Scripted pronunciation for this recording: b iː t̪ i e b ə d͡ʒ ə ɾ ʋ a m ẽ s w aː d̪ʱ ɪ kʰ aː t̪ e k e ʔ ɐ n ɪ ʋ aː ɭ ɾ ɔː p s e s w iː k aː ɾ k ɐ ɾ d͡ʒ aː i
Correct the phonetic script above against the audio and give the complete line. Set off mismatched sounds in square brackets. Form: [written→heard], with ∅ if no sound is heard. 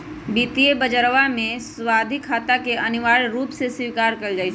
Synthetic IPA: b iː t̪ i e b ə d͡ʒ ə ɾ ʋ a m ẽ s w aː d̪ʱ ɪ kʰ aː t̪ [e→a] k e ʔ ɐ n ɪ ʋ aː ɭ ɾ [ɔː→uː] p s e s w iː k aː ɾ k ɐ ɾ d͡ʒ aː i